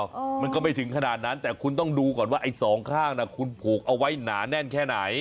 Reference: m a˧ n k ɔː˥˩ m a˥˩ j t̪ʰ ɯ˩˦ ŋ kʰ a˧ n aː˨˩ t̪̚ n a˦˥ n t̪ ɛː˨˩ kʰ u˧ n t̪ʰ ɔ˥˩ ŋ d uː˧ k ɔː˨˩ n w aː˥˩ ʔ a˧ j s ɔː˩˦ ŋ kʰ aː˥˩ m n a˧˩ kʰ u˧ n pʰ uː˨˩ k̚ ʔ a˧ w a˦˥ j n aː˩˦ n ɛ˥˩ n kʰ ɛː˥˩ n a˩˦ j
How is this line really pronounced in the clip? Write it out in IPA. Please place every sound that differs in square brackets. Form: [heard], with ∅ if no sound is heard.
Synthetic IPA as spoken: m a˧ n k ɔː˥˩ m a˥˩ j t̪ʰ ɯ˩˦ ŋ kʰ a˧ n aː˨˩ t̪̚ n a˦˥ n t̪ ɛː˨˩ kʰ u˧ n [t̪] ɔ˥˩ ŋ d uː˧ k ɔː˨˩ n w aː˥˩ ʔ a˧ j s ɔː˩˦ ŋ kʰ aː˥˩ [ŋ] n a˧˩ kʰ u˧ n pʰ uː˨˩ k̚ ʔ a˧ w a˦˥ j n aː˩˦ n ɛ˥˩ n kʰ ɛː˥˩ n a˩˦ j